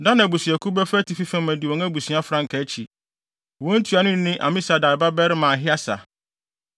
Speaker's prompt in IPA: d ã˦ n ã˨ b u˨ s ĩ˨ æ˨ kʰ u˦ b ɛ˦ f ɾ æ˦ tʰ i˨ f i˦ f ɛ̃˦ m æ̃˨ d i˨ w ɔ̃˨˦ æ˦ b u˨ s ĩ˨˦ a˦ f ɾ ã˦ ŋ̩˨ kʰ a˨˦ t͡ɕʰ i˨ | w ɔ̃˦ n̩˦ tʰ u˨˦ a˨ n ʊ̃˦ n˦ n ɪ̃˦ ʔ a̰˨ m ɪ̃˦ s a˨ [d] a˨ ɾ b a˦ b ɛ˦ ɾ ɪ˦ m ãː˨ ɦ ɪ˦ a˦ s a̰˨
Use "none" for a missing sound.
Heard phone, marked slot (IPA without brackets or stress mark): d